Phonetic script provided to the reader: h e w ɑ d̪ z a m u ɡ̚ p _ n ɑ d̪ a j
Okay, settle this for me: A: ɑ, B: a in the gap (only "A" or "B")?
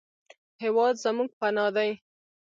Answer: B